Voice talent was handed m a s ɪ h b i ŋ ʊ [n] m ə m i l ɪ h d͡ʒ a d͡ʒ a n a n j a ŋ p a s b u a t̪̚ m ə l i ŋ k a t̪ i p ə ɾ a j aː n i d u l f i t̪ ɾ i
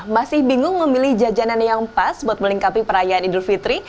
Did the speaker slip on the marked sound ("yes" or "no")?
yes